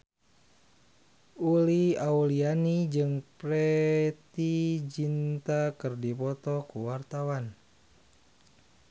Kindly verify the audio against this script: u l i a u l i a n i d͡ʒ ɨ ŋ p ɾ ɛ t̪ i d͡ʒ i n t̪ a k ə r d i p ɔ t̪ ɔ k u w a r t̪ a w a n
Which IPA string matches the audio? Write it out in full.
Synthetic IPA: u l i a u l i a n i d͡ʒ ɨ ŋ p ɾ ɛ t̪ i d͡ʒ i n t̪ a k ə r d i p ɔ t̪ ɔ k u w a r t̪ a w a n